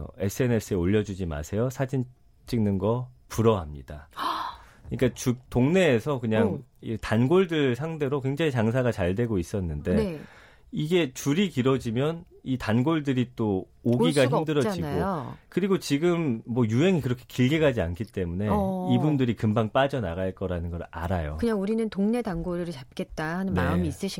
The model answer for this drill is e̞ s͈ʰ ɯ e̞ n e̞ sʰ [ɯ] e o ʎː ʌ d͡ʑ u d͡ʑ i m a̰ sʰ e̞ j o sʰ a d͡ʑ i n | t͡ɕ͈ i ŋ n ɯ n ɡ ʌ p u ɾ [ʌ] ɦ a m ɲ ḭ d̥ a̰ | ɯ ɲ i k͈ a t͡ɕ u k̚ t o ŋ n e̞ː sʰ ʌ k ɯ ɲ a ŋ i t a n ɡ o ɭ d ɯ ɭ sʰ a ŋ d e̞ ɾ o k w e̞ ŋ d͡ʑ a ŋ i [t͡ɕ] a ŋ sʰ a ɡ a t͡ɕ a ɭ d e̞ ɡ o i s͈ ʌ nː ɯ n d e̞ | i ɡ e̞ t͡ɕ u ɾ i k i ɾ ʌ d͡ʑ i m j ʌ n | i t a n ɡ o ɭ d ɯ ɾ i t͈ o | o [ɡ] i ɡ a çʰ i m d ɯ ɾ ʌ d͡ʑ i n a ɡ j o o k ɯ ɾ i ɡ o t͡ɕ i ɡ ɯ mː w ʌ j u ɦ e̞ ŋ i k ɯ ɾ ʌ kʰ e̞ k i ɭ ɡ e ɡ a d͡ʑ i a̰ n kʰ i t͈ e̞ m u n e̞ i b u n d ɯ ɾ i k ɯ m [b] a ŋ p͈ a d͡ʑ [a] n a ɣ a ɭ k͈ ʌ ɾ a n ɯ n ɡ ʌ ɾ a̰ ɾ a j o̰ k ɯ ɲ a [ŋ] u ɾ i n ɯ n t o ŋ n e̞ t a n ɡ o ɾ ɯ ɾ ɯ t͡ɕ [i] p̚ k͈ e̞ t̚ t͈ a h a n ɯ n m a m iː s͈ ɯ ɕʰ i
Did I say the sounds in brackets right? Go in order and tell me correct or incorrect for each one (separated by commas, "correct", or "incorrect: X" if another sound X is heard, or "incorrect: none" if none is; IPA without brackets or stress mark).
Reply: correct, correct, correct, correct, correct, incorrect: ʌ, correct, incorrect: a